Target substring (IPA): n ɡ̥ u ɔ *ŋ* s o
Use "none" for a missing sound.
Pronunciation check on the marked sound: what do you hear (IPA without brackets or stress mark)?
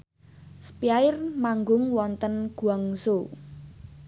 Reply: ŋ